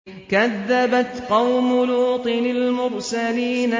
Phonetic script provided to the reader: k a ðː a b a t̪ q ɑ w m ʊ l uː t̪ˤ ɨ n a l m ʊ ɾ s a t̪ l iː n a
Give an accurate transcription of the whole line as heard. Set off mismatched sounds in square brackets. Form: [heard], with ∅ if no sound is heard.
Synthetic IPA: k a ðː a b a t̪ q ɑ w m ʊ l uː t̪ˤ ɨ n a l m ʊ ɾ s a [∅] l iː n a